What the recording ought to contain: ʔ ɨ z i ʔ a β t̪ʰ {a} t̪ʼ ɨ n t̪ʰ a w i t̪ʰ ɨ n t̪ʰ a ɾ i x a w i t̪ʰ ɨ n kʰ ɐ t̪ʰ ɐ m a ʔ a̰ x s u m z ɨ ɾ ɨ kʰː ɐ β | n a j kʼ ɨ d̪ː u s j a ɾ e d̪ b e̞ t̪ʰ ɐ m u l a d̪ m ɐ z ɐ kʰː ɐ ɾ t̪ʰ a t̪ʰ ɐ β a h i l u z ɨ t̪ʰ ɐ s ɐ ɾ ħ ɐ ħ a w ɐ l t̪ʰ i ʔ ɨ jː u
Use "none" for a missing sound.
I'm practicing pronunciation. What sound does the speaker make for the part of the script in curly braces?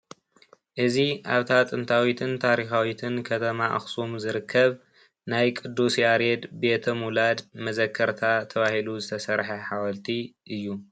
a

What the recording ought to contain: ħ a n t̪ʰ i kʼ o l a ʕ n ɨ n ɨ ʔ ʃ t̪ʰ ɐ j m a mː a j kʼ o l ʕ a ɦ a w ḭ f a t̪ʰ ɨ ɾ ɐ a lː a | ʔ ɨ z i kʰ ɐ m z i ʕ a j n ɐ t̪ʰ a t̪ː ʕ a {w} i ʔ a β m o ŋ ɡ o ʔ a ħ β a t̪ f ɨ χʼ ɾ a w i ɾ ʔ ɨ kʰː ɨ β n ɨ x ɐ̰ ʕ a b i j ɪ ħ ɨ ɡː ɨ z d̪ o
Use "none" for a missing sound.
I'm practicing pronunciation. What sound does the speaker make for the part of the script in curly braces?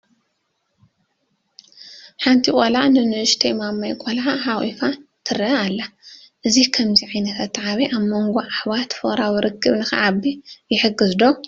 β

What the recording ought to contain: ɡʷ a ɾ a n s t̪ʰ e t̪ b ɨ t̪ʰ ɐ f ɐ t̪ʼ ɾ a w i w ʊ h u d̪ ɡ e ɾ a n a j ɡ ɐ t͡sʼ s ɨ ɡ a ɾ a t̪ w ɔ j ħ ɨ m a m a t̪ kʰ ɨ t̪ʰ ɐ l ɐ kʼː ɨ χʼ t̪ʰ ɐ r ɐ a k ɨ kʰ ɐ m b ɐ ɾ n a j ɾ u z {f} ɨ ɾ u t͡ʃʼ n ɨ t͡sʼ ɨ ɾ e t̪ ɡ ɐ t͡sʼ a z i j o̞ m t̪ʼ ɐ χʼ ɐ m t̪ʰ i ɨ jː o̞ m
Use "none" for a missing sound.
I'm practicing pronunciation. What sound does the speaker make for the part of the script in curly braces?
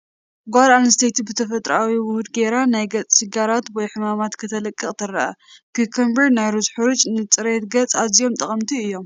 ħ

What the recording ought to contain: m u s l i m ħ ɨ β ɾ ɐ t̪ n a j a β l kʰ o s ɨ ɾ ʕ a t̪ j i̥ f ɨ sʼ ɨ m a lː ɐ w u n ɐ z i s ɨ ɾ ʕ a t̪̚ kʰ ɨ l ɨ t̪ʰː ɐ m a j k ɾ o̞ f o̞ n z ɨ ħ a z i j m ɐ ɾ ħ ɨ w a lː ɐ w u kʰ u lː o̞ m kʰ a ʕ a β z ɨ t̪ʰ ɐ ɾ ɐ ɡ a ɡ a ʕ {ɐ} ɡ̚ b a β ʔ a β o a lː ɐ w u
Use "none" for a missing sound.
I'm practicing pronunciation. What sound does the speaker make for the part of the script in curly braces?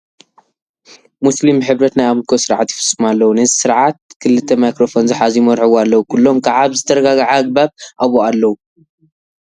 a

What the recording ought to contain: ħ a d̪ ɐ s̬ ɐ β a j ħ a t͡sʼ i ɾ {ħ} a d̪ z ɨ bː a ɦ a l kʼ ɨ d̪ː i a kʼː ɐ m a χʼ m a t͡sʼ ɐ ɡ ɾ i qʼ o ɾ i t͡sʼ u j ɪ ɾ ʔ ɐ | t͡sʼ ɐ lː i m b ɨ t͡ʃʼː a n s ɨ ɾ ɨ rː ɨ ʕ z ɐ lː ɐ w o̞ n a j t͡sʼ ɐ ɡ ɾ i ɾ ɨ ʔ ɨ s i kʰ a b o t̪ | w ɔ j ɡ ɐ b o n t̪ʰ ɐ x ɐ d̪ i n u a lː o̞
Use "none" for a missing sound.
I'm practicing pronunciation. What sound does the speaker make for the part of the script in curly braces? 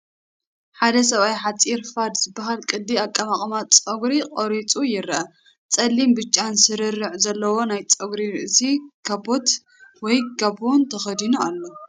f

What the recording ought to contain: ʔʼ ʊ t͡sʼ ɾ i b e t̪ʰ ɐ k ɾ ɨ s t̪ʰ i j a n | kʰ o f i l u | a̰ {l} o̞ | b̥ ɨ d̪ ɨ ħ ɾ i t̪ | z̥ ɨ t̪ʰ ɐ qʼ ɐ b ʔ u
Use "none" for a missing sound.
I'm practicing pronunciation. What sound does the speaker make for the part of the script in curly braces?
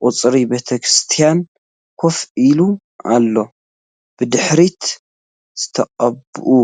lː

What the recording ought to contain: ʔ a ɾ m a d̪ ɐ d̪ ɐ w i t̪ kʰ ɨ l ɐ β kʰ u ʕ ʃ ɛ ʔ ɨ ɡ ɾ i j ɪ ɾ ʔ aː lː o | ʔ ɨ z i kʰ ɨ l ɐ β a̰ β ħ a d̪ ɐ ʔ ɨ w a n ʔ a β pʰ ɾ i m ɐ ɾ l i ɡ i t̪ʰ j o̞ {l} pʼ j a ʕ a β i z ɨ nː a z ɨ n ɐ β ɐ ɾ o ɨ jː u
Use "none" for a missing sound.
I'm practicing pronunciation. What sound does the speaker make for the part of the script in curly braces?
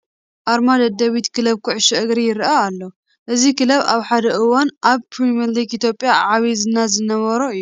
none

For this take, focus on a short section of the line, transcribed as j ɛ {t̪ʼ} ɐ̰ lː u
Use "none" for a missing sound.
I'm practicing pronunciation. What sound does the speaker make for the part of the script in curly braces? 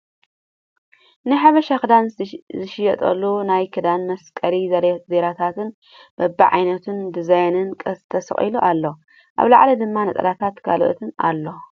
t̪ʼ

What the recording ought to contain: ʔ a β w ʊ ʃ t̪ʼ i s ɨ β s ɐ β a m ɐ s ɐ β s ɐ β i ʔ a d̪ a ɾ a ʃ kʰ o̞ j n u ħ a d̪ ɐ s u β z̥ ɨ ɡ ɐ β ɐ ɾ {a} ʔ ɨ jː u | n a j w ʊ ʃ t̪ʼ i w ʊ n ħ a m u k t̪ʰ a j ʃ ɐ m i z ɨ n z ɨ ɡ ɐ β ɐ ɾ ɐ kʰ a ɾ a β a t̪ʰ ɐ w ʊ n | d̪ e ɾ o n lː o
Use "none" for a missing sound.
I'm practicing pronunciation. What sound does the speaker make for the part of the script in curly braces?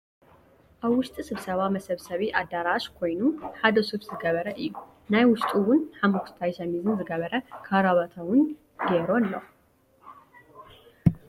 ɐ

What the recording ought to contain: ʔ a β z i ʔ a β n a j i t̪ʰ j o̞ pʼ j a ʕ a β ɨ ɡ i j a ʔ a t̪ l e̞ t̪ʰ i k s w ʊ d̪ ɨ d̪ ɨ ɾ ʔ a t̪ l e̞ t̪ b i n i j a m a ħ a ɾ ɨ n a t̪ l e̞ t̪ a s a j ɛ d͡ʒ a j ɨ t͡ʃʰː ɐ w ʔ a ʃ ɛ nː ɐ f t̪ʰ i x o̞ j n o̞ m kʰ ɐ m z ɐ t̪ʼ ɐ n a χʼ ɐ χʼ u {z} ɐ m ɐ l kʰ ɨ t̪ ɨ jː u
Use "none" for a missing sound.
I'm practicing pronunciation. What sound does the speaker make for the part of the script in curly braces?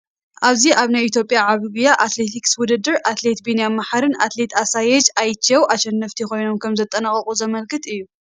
z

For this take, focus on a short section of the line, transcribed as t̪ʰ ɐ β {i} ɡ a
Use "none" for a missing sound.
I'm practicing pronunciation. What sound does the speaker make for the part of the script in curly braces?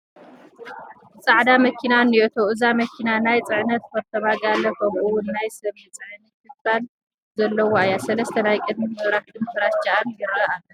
a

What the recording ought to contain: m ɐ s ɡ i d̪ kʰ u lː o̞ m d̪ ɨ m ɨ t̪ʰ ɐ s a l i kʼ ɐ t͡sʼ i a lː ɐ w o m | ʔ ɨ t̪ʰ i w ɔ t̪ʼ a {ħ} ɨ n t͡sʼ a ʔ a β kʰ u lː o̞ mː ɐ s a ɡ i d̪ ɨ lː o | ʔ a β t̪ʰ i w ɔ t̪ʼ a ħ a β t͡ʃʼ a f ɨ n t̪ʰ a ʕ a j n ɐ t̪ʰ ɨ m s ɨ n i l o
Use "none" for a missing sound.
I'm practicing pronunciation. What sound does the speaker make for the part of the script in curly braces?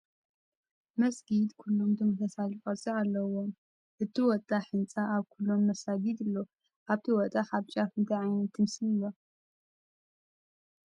ħ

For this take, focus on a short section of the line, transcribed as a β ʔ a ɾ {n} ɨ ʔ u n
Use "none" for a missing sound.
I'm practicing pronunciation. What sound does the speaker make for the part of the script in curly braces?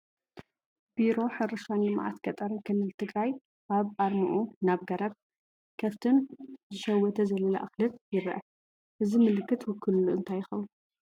m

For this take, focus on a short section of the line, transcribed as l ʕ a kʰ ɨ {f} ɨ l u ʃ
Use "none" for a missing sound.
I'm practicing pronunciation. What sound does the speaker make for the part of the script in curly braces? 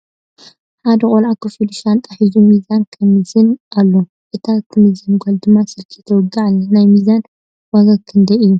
f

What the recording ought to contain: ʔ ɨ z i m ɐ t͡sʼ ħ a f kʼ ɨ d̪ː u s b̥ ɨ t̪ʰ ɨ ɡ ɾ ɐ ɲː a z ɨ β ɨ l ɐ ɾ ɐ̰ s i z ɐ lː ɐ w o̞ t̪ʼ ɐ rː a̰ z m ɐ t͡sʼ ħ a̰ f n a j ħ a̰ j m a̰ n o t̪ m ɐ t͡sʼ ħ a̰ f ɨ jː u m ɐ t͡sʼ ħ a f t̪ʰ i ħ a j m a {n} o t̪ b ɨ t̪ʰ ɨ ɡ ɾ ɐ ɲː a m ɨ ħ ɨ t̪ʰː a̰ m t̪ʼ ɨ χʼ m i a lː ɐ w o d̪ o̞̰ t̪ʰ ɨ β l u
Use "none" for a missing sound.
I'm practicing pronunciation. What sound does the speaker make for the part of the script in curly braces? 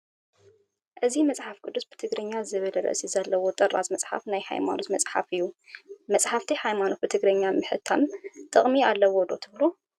n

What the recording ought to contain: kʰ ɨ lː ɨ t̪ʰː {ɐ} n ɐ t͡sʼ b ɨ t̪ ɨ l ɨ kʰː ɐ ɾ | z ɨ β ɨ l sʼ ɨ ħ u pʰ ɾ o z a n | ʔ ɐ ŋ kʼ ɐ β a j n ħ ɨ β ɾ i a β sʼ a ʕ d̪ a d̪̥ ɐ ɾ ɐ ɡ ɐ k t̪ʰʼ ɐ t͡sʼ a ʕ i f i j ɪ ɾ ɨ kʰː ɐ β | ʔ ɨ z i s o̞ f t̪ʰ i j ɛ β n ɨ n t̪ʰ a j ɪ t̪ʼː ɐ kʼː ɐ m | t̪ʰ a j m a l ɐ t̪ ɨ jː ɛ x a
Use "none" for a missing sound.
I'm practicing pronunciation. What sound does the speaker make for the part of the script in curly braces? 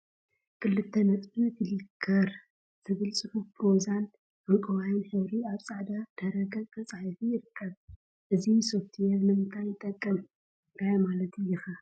ɐ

